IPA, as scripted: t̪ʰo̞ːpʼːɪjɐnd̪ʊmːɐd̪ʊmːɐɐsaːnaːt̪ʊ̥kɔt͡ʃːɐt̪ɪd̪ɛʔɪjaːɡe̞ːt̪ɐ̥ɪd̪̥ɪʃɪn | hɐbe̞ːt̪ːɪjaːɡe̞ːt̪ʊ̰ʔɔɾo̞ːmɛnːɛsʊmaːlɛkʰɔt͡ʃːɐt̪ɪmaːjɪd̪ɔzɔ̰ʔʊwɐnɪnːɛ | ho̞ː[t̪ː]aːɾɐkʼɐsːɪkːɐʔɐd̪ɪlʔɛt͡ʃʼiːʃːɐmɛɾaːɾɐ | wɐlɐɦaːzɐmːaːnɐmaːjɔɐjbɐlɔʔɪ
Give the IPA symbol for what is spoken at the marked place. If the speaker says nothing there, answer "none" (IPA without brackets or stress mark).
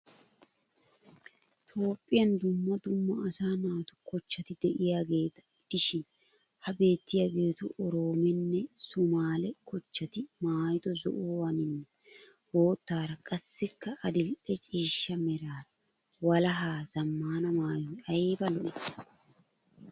t̪ː